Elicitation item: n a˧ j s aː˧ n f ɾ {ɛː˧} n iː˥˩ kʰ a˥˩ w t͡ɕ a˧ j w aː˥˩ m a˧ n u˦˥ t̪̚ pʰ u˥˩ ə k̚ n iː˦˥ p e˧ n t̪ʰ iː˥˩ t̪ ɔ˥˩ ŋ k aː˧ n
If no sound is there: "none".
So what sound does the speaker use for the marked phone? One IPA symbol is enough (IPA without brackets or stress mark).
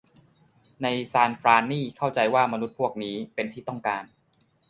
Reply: aː˧